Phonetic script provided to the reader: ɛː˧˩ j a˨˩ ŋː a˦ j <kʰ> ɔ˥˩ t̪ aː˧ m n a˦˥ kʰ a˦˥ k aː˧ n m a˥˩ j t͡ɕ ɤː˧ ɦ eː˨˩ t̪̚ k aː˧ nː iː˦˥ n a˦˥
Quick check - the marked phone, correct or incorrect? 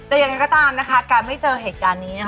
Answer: incorrect